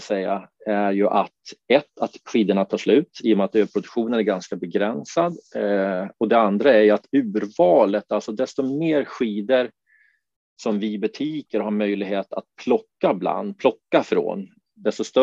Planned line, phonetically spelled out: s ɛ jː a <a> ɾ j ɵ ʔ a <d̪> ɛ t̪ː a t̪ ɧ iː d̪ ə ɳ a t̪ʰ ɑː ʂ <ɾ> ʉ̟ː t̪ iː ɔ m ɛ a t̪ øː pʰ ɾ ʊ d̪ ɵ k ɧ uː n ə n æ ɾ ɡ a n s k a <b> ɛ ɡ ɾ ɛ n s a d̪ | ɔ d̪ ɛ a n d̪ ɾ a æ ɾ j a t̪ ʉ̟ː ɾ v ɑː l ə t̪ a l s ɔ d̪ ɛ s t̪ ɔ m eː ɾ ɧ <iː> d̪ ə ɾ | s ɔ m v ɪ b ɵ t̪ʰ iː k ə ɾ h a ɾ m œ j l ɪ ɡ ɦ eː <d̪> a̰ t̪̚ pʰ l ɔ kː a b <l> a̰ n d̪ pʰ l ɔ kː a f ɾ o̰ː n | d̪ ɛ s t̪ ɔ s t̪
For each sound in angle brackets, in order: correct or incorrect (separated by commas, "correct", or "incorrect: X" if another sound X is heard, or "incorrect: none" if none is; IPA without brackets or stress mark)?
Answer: incorrect: æ, incorrect: t̪, incorrect: l, correct, correct, incorrect: t̪, correct